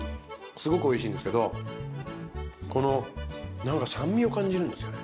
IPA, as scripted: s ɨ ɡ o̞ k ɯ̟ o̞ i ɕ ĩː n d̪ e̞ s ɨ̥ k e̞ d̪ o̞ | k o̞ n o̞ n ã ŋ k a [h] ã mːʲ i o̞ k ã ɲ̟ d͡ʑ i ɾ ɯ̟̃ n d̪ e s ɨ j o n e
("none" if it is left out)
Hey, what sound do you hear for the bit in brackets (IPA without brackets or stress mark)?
s